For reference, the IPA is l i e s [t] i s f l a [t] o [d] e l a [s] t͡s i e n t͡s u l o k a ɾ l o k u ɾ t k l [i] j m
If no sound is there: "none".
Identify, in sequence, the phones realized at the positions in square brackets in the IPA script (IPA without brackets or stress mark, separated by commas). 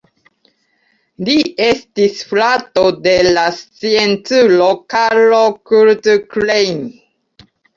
t, t, d, s, e